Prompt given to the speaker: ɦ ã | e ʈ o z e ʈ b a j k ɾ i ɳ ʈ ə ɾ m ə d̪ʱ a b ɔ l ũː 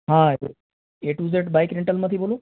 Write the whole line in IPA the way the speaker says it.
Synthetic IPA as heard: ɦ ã | e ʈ u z e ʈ b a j k ɾ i ɳ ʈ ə l m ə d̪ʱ i b o l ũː